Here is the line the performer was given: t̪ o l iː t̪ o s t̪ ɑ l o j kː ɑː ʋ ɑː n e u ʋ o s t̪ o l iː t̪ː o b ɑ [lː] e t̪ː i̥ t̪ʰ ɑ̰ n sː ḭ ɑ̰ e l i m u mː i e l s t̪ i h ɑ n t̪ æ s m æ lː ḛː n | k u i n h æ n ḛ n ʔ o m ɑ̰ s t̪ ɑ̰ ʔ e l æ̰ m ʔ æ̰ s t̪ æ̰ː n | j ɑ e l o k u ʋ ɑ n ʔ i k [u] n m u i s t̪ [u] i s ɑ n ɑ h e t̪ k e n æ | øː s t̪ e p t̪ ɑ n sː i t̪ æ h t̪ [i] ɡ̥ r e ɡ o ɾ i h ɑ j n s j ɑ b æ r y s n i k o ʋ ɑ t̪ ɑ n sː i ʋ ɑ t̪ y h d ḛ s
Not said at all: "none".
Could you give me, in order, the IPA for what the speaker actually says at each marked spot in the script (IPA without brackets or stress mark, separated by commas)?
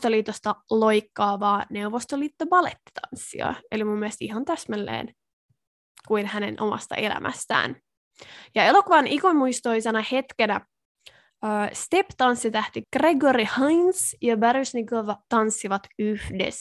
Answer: l, o, o, i